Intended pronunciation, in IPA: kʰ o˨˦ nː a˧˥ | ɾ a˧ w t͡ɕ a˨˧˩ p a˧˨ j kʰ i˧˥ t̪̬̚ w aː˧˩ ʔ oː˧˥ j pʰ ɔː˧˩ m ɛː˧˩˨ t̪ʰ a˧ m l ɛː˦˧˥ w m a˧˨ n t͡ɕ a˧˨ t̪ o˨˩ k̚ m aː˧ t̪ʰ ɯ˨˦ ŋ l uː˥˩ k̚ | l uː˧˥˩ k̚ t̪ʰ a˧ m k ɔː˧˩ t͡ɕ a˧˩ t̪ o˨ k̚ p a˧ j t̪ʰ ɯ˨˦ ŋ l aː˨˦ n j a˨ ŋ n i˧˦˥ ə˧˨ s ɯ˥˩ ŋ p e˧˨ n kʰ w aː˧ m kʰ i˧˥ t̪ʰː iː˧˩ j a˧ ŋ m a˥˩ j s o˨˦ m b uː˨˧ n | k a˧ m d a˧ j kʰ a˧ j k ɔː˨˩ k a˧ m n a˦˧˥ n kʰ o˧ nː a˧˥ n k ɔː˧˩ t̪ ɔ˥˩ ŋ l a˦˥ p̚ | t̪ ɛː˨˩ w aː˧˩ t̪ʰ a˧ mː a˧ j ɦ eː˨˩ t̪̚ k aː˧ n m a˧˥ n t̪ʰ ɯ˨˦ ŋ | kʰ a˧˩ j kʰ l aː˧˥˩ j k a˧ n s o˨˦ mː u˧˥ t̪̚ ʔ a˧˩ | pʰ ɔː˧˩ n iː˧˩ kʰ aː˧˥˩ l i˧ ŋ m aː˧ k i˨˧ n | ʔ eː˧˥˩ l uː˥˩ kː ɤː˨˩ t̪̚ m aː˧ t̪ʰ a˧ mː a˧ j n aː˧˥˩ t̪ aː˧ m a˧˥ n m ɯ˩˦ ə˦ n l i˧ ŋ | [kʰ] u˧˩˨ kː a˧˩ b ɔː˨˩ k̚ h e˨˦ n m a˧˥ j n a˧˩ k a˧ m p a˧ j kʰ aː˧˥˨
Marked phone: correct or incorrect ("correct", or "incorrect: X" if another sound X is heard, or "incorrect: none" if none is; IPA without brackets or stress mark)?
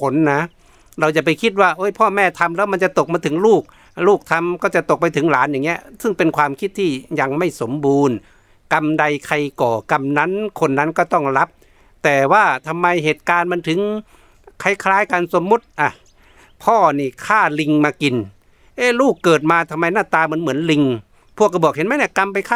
incorrect: pʰ